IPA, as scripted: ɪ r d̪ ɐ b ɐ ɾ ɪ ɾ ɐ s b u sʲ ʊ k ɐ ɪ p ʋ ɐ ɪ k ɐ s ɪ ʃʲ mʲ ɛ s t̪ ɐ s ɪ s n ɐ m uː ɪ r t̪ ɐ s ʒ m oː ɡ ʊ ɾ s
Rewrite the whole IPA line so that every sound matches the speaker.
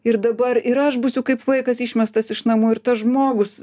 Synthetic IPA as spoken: ɪ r d̪ ɐ b ɐ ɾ ɪ ɾ ɐ ʃ b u sʲ ʊ k ɐ ɪ p ʋ ɐ ɪ k ɐ s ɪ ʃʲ mʲ ɛ s t̪ ɐ s ɪ ʃ n ɐ m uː ɪ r t̪ ɐ s ʒ m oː ɡ ʊ s